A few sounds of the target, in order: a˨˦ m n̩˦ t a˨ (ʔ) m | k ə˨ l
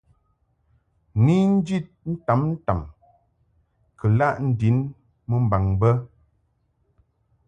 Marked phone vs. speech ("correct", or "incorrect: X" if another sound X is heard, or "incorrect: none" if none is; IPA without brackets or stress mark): incorrect: none